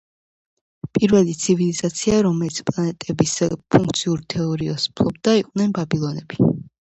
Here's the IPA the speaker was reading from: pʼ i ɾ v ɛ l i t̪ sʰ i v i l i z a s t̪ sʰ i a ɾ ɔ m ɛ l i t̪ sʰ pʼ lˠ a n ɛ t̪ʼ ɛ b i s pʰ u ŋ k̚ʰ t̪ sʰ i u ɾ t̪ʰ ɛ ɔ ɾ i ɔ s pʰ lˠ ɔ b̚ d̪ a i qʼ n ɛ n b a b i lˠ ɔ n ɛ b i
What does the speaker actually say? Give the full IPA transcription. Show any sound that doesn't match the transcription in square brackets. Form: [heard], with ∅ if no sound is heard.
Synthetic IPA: pʼ i ɾ v ɛ l i t̪ sʰ i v i l i z a [∅] t̪ sʰ i a ɾ ɔ m ɛ l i t̪ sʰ pʼ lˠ a n ɛ t̪ʼ ɛ b i s pʰ u ŋ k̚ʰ t̪ sʰ i u ɾ t̪ʰ ɛ ɔ ɾ i ɔ s pʰ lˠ ɔ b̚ d̪ a i qʼ n ɛ n b a b i lˠ ɔ n ɛ b i